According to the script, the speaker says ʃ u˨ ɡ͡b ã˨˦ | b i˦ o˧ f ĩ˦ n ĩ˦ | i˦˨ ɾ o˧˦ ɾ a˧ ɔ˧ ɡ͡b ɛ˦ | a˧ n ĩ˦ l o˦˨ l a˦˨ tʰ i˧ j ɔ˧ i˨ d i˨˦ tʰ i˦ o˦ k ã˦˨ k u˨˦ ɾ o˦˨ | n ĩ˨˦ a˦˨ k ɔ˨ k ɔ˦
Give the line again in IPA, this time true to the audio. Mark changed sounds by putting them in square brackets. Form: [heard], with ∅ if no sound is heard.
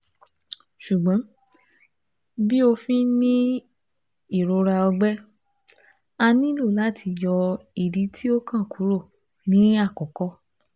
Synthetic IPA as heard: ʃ u˨ ɡ͡b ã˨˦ | b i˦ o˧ f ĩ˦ n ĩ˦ | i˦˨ ɾ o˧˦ ɾ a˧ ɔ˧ ɡ͡b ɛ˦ | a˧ n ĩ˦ l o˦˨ l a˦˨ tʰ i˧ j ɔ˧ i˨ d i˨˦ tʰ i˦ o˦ k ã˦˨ k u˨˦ ɾ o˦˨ | n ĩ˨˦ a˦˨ k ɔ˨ k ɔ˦